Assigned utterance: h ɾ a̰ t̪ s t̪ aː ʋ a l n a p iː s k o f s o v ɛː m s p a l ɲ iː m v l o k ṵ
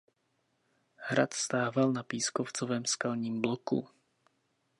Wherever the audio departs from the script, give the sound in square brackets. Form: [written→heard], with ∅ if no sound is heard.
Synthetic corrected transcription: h ɾ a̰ t̪ s t̪ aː [ʋ→v] a l n a p iː s k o f [s→t͡s] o v ɛː m s [p→k] a l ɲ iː m [v→b] l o k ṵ